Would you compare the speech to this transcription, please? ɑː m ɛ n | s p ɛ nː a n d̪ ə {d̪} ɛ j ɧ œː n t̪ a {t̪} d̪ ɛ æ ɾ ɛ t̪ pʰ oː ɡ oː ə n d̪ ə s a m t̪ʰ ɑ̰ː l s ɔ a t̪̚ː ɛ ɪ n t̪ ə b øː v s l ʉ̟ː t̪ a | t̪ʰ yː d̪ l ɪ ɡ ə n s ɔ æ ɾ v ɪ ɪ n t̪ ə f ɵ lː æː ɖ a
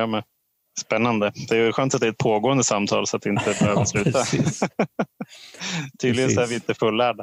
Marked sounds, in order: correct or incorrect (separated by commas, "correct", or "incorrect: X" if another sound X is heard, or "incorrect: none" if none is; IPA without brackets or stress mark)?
correct, correct